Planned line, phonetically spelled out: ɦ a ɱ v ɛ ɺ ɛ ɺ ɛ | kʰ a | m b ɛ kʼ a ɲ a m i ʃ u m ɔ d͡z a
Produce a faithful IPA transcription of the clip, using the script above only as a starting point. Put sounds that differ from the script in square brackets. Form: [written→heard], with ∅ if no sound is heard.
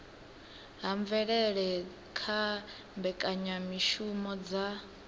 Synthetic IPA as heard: ɦ a ɱ v ɛ ɺ ɛ ɺ ɛ | kʰ a | m b ɛ kʼ a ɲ a m i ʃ u m ɔ d͡z a

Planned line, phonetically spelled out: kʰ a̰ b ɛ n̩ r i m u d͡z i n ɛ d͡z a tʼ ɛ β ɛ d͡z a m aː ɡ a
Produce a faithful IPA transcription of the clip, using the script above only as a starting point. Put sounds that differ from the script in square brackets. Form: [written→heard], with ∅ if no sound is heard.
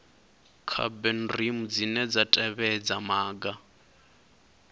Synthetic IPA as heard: kʰ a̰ b ɛ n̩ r i m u d͡z i n ɛ d͡z a tʼ ɛ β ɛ d͡z a m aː ɡ a

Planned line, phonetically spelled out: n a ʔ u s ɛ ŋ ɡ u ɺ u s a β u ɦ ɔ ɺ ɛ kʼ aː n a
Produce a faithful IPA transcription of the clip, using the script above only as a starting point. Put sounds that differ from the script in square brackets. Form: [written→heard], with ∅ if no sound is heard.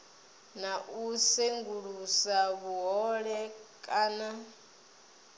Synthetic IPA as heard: n a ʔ u s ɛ ŋ ɡ u ɺ u s a β u ɦ ɔ ɺ ɛ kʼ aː n a

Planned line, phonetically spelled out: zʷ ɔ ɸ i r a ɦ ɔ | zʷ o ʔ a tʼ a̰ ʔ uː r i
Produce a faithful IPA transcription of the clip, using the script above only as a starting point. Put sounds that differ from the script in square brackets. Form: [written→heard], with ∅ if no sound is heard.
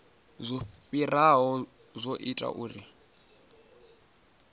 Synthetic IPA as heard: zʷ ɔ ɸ i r a ɦ ɔ | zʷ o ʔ [a→i] tʼ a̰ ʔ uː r i

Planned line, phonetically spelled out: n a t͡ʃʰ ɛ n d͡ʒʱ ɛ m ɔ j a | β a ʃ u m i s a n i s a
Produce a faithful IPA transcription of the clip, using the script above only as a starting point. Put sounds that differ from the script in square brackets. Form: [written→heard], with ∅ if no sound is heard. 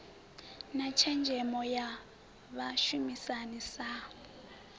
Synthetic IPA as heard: n a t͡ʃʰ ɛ n d͡ʒʱ ɛ m ɔ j a | β a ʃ u m i s a n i s a

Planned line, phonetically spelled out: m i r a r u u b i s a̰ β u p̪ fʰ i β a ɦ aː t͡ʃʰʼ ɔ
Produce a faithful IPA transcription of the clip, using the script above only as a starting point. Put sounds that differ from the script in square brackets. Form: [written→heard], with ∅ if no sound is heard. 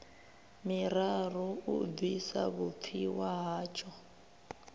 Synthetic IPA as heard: m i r a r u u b i s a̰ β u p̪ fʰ i [β→w] a ɦ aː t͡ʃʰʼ ɔ

